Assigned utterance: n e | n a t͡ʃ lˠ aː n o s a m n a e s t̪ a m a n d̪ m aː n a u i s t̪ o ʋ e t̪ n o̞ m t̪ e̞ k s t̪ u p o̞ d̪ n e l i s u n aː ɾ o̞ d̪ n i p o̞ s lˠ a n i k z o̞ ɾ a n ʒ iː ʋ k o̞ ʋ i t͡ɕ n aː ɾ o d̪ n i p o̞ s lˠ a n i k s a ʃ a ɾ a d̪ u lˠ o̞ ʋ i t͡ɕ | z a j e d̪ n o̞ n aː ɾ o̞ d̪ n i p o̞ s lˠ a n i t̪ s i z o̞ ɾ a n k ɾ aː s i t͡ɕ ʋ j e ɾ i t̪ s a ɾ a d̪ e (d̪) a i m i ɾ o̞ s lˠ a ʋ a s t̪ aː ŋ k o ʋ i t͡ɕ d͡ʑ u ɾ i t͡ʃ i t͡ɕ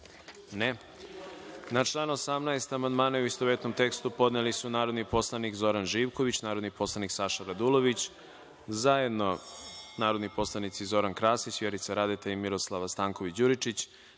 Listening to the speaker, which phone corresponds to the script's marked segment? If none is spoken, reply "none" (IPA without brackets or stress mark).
t̪